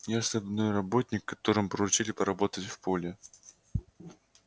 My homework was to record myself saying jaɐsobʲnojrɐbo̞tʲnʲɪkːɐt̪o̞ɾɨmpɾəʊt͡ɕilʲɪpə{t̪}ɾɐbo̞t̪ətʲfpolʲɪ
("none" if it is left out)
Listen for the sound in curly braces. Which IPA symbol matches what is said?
none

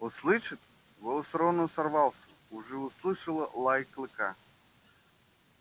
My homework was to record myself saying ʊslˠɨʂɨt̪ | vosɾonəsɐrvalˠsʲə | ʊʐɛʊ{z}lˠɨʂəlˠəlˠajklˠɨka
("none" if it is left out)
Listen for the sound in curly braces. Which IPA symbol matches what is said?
s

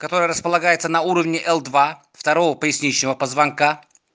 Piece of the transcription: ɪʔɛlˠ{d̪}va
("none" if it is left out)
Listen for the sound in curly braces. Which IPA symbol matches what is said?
d̪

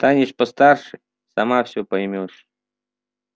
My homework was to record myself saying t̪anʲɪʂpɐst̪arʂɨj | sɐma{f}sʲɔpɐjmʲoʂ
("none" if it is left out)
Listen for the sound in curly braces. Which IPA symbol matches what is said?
f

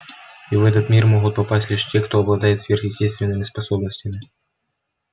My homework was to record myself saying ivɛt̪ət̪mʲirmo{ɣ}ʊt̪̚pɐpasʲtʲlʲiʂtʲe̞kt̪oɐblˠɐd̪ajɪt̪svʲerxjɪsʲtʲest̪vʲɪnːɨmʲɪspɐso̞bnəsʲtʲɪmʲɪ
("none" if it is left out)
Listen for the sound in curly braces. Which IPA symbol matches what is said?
ɣ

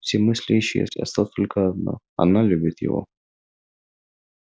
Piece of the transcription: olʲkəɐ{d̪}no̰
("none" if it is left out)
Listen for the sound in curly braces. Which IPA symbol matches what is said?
d̪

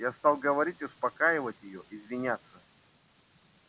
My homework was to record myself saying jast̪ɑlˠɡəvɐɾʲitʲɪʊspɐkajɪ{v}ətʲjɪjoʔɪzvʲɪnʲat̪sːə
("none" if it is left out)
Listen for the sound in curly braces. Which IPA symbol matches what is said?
v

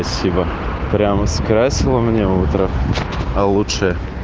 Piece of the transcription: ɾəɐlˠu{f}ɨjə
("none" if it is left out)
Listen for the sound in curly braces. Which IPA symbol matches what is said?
ʂ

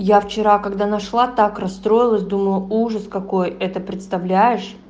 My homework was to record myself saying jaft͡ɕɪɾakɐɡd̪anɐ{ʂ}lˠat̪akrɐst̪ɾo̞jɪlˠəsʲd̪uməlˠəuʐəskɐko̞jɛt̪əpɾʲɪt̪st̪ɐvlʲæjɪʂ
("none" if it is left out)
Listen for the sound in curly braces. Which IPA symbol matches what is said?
ʂ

